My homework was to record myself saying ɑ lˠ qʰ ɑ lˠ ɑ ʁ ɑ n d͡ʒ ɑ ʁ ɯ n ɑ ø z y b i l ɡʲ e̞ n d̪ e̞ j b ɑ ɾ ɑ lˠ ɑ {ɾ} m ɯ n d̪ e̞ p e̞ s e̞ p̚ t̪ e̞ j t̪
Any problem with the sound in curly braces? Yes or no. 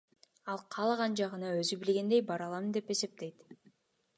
yes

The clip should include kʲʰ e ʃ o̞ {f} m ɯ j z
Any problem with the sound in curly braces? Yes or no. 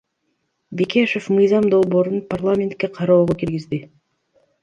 no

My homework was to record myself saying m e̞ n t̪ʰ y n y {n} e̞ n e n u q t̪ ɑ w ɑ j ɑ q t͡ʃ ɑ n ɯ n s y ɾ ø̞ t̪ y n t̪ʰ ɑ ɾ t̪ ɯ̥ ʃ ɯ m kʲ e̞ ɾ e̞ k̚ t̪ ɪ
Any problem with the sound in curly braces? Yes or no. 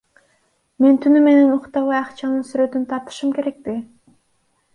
yes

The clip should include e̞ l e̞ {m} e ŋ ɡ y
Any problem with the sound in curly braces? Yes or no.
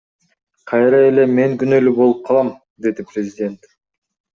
no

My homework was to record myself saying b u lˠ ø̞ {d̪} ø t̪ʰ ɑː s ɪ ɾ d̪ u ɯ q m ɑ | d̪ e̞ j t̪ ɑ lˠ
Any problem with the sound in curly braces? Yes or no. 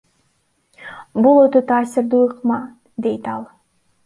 yes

